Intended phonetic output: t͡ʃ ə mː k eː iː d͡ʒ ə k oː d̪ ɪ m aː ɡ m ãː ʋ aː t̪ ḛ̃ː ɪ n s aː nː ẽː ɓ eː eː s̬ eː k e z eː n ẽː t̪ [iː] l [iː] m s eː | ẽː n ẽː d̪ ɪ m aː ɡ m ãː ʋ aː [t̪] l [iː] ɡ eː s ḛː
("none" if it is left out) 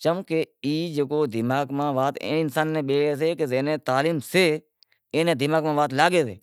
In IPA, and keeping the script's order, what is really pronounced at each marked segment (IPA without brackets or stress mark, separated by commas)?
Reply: aː, iː, t̪, aː